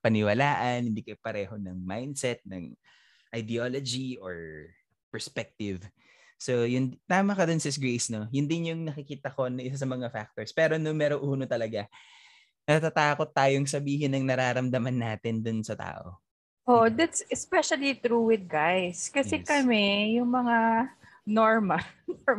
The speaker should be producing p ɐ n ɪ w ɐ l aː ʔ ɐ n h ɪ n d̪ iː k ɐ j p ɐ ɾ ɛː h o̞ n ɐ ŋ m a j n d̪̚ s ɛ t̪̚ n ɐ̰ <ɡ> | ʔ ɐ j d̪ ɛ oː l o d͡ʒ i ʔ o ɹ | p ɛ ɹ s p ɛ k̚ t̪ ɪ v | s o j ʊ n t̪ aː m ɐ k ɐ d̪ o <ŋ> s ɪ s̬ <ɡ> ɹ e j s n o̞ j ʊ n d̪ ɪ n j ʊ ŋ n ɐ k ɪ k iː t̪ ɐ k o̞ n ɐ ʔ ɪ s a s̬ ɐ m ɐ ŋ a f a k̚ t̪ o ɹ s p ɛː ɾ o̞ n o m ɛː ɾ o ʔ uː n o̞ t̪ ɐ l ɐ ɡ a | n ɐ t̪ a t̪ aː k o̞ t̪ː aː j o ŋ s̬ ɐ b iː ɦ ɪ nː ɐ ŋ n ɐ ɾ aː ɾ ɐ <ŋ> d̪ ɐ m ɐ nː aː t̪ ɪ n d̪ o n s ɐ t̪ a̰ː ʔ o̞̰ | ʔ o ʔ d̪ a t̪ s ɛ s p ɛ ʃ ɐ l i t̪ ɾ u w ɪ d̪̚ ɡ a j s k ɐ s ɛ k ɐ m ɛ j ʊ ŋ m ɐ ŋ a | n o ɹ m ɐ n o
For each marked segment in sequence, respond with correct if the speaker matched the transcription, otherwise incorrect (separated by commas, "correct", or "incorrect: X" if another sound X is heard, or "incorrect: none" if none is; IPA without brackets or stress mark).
incorrect: ŋ, incorrect: n, correct, incorrect: m